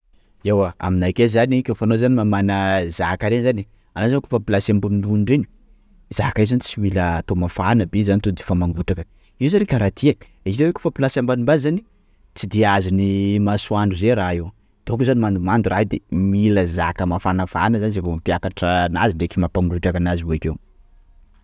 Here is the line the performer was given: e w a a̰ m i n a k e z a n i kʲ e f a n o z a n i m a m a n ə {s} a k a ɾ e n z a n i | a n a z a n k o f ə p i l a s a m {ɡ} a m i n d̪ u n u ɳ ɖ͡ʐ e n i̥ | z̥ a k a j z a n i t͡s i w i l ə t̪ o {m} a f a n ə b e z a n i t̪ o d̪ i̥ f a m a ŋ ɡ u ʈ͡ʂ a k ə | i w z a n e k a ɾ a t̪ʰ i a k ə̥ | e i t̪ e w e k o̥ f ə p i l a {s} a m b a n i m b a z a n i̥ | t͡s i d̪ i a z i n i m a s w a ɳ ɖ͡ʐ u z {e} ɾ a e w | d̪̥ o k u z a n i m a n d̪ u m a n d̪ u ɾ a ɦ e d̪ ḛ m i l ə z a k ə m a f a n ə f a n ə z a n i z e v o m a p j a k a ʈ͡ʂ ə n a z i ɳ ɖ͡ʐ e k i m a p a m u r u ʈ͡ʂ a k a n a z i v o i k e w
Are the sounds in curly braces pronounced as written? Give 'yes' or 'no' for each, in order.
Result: no, no, yes, yes, yes

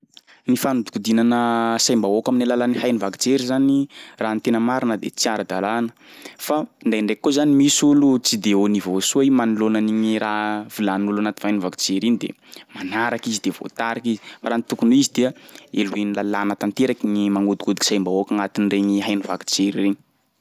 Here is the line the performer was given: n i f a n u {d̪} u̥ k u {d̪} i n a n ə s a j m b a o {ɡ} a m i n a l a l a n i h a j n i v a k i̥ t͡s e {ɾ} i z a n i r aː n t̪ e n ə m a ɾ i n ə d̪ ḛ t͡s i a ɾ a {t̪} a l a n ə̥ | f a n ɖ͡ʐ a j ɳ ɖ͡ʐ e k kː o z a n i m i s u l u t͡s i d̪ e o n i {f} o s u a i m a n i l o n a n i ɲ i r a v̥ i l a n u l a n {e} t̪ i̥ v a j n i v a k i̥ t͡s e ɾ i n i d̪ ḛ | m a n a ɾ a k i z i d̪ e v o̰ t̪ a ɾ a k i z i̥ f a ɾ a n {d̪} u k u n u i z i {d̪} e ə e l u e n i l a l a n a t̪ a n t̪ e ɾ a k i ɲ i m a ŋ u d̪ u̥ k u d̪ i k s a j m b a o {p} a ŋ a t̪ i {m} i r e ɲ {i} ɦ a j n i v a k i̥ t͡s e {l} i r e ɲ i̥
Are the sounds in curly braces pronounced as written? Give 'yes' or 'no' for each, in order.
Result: yes, yes, no, yes, no, no, no, no, yes, no, no, yes, no

